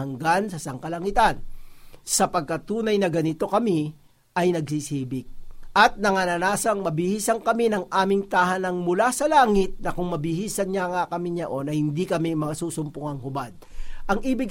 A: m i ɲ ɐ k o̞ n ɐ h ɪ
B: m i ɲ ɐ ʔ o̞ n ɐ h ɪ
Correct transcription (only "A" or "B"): B